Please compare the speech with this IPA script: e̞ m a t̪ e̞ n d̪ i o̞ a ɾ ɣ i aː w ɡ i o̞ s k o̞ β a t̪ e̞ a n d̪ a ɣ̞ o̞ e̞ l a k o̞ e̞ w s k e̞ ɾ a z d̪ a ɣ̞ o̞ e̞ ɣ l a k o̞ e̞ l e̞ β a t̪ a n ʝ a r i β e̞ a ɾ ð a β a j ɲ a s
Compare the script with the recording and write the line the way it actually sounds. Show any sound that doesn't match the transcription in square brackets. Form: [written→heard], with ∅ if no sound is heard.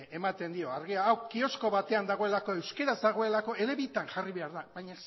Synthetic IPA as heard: e̞ m a t̪ e̞ n d̪ i o̞ a ɾ ɣ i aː w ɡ i o̞ s k o̞ β a t̪ e̞ a n d̪ a ɣ̞ o̞ e̞ l a k o̞ e̞ w s k e̞ ɾ a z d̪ a ɣ̞ o̞ e̞ [ɣ→∅] l a k o̞ e̞ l e̞ β [a→i] t̪ a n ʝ a r i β e̞ a ɾ ð a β a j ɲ a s